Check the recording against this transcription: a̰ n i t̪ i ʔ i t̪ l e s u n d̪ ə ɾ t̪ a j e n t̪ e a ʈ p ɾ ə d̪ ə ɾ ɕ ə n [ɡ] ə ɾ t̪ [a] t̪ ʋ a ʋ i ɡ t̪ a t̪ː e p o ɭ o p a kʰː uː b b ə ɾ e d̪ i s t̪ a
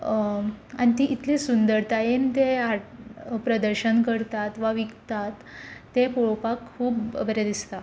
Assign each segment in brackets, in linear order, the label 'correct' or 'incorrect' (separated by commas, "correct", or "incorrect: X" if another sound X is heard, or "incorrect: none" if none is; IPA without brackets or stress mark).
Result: incorrect: k, correct